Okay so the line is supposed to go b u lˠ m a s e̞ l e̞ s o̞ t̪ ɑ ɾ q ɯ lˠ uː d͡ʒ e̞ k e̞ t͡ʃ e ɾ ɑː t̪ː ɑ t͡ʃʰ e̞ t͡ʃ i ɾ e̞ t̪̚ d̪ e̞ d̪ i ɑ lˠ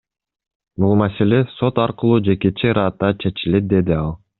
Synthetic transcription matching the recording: b u lˠ m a s e̞ l e̞ s o̞ t̪ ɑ ɾ q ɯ lˠ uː d͡ʒ e̞ k e̞ t͡ʃ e ɾ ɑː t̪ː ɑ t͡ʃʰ e̞ t͡ʃ i l e̞ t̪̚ d̪ e̞ d̪ i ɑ lˠ